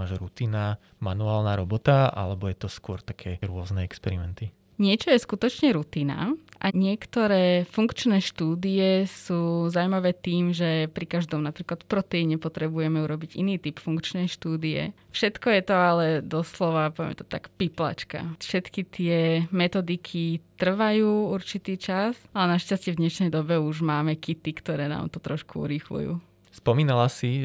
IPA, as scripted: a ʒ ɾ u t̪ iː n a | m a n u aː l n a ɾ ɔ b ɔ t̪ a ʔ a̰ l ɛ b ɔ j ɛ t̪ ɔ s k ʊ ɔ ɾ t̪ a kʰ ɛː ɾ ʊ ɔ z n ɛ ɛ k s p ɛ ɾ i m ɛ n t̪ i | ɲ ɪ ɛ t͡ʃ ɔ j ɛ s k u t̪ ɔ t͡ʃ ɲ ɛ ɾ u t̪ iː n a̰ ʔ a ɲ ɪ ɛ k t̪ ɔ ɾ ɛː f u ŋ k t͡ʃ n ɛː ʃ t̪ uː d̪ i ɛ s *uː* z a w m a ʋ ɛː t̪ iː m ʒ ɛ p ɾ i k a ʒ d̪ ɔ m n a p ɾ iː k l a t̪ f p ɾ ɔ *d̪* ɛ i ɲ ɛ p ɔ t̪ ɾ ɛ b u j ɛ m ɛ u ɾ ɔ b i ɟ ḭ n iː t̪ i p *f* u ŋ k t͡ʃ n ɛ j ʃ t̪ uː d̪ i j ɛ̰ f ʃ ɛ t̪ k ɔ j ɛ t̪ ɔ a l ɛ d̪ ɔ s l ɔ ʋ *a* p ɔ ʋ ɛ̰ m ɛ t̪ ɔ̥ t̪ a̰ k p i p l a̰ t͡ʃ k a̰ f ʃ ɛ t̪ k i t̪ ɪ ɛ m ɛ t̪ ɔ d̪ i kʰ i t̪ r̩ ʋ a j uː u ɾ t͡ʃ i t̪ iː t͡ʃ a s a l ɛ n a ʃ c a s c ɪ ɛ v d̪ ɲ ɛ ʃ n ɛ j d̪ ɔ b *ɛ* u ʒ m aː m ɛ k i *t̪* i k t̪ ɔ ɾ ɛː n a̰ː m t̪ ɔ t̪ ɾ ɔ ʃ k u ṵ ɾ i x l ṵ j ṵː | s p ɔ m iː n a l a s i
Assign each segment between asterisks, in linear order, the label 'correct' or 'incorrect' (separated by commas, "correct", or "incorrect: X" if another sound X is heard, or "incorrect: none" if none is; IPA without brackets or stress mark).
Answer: correct, incorrect: t̪, correct, correct, correct, correct